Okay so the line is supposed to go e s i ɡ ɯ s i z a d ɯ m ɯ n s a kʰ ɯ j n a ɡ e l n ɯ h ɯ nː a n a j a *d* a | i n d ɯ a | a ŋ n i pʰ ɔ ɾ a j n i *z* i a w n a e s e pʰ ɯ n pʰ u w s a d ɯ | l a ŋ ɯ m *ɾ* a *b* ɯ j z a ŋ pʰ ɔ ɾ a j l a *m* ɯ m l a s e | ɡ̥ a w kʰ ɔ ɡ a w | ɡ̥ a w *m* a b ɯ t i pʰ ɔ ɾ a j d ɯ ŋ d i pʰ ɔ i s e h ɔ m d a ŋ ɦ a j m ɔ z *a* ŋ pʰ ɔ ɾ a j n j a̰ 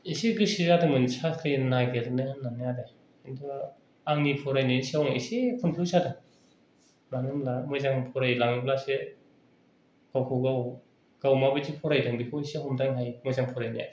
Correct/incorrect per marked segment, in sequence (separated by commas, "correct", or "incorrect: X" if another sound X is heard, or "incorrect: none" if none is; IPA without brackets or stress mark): correct, incorrect: s, incorrect: l, incorrect: m, incorrect: ŋ, correct, correct